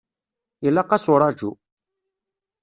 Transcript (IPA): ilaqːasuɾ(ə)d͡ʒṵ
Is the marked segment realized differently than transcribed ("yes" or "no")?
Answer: yes